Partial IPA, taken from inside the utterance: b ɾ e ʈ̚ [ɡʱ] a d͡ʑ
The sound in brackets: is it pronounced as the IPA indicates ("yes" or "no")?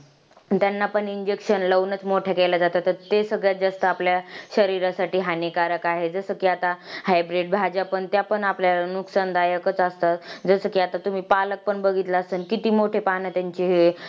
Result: no